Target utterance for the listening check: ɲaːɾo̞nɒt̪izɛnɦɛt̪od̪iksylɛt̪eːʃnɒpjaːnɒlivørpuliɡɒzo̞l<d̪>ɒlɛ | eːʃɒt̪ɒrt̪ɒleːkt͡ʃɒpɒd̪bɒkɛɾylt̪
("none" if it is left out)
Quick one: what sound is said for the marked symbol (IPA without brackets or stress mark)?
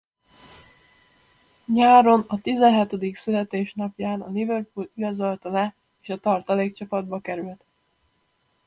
t̪